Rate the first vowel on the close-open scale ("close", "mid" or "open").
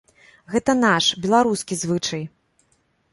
mid